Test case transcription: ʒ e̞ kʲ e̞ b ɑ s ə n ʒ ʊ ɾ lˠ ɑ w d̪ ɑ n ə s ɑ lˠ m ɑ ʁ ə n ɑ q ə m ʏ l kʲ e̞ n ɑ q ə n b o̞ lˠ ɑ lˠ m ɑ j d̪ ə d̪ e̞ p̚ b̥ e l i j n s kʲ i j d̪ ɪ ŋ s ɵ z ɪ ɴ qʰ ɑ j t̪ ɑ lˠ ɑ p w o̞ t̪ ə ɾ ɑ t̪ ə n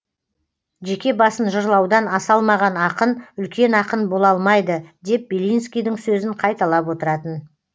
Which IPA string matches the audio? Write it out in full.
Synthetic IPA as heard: ʒ e̞ kʲ e̞ b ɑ s ə n ʒ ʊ ɾ lˠ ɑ w d̪ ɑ n ɑ s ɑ lˠ m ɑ ʁ ɑ n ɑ q ə n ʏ l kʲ e̞ n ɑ q ə n b o̞ lˠ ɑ lˠ m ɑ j d̪ ə d̪ e̞ p̚ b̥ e l i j n s kʲ i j d̪ ɪ ŋ s ɵ z ɪ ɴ qʰ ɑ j t̪ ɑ lˠ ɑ p w o̞ t̪ ə ɾ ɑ t̪ ə n